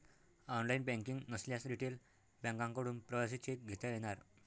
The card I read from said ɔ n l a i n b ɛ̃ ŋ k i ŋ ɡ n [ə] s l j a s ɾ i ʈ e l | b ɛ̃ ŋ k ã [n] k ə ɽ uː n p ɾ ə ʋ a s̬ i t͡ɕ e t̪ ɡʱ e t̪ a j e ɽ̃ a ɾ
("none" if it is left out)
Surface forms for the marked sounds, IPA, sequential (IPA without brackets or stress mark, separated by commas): ə, ŋ